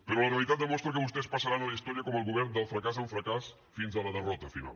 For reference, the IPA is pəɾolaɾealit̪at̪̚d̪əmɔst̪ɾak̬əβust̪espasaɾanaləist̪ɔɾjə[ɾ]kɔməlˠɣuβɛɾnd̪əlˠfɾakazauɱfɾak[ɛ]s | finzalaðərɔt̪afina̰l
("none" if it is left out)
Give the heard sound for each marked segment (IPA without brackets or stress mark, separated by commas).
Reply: none, a